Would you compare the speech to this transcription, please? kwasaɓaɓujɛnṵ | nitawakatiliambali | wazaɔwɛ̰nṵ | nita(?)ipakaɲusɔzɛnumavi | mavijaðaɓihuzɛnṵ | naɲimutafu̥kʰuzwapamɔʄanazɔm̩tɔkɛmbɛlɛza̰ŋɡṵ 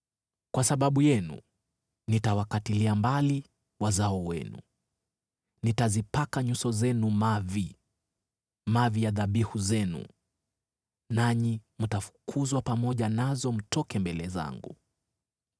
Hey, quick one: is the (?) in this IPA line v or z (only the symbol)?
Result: z